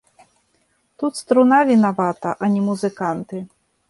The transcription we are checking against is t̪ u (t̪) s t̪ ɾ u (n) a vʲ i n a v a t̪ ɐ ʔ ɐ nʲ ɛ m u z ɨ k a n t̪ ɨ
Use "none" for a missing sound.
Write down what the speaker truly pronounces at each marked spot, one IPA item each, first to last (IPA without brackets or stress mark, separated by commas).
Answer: t̪, n